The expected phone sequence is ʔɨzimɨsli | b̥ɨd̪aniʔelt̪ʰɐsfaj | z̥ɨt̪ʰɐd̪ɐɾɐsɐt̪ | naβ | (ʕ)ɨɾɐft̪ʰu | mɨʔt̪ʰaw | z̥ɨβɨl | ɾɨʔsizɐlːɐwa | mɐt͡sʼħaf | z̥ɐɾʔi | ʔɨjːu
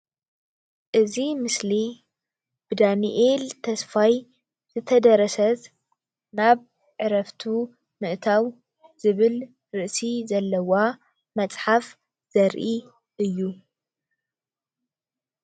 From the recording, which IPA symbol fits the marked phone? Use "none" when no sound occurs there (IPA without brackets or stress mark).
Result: ʕ